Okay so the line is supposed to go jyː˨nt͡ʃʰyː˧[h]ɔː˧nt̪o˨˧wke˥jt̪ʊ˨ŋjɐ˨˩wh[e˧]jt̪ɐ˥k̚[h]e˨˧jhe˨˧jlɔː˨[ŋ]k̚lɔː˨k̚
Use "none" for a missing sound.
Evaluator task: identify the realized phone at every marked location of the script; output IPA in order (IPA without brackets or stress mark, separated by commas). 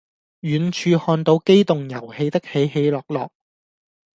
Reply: h, e˧, h, none